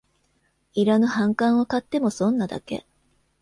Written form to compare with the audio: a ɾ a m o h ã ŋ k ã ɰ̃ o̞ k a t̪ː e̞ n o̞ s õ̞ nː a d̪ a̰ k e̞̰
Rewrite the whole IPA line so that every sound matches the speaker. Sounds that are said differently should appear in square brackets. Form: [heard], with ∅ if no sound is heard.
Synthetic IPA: [i] ɾ a [n] o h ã ŋ k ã ɰ̃ o̞ k a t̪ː e̞ [m] o̞ s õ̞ nː a d̪ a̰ k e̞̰